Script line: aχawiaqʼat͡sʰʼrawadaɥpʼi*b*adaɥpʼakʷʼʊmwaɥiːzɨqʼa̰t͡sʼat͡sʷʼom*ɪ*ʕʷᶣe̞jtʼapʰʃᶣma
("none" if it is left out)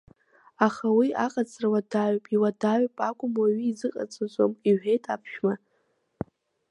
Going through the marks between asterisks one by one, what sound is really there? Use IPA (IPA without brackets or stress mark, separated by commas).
w, i